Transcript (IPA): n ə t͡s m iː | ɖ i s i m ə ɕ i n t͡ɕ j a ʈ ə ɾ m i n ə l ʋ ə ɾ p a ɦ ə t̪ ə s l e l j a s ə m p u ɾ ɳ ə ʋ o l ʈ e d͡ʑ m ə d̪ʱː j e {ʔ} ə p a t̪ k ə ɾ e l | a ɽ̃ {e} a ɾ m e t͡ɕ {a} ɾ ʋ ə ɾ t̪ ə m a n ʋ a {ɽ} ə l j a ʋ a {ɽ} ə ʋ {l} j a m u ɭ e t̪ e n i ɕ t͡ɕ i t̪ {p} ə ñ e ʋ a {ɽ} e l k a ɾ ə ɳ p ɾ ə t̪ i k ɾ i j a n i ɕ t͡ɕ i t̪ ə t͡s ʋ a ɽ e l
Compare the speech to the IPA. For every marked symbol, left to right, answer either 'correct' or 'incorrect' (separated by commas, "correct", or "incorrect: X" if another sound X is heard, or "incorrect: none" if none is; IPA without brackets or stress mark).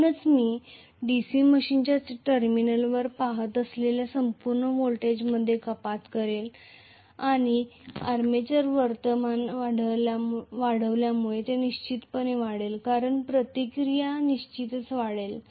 incorrect: k, incorrect: i, incorrect: ə, correct, correct, correct, correct, correct